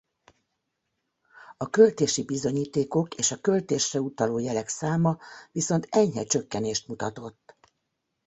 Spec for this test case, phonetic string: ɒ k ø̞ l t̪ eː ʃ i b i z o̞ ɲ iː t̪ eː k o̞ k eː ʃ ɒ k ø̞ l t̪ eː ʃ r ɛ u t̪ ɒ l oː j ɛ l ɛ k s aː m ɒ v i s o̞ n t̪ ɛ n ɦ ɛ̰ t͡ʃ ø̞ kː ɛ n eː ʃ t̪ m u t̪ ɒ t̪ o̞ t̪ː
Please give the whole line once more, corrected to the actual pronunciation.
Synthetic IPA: ɒ k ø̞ l t̪ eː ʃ i b i z o̞ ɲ iː t̪ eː k o̞ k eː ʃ ɒ k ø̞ l t̪ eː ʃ r ɛ u t̪ ɒ l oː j ɛ l ɛ k s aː m ɒ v i s o̞ n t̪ ɛ ɲ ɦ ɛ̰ t͡ʃ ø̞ kː ɛ n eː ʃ t̪ m u t̪ ɒ t̪ o̞ t̪ː